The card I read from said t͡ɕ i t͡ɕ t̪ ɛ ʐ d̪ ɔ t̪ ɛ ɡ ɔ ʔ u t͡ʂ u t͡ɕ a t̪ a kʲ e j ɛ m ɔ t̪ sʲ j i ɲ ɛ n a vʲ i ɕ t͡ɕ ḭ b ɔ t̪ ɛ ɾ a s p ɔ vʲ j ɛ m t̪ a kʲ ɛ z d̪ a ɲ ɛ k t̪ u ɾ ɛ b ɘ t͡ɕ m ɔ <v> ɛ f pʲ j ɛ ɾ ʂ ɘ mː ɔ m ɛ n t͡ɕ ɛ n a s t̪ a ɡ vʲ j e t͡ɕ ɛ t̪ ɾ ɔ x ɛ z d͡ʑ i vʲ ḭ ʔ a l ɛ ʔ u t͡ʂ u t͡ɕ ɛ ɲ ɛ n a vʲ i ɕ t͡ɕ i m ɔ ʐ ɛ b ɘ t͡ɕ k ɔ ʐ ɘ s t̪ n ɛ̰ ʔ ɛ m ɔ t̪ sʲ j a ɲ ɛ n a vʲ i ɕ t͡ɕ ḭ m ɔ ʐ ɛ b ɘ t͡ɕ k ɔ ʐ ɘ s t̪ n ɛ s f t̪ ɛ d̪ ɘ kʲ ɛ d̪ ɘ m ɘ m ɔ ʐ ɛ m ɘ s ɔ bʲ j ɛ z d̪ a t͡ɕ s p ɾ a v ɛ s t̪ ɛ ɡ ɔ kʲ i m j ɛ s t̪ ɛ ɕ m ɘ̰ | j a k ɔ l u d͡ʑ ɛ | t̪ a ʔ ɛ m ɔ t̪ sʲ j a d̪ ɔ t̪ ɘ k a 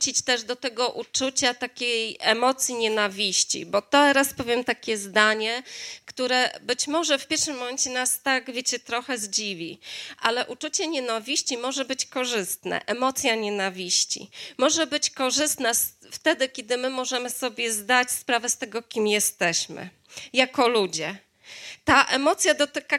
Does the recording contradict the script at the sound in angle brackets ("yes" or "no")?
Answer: yes